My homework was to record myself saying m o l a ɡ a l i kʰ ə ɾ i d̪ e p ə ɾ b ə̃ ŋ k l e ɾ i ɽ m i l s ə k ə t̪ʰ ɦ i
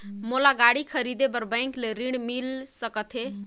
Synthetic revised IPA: m o l a ɡ a ɽ i kʰ ə ɾ i d̪ e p ə ɾ b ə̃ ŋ k l e ɾ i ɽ m i l s ə k ə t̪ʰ ɦ e